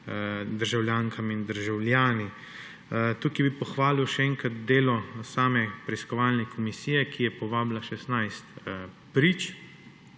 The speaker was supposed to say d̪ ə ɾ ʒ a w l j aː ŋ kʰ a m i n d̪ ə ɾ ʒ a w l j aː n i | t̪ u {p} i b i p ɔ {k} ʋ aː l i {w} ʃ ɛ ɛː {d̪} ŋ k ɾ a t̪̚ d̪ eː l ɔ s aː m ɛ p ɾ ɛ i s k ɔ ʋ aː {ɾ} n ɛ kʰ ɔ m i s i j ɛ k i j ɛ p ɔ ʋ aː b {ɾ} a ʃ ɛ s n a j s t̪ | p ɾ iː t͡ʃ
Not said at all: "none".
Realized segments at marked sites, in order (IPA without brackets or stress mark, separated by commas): k, x, w, none, l, l